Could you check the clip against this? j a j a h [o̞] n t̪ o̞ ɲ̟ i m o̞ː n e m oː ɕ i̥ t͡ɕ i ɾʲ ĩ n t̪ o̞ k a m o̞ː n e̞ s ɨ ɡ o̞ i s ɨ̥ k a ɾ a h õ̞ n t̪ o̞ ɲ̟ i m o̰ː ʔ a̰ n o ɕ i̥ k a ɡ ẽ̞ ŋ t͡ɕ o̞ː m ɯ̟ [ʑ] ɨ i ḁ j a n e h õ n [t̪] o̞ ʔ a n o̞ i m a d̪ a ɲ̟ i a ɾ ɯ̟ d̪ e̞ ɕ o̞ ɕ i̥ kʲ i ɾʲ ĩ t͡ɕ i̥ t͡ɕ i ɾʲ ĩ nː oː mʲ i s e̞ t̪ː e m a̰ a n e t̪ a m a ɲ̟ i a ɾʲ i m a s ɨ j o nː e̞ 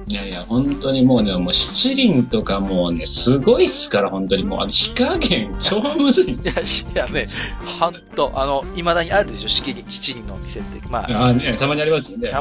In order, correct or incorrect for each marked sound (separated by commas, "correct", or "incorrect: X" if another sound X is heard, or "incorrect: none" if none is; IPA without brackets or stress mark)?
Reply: incorrect: õ̞, incorrect: z, correct